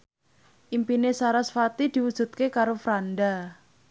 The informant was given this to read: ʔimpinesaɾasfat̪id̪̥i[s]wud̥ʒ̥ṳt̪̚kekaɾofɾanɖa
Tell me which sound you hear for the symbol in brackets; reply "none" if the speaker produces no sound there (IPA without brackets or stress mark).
none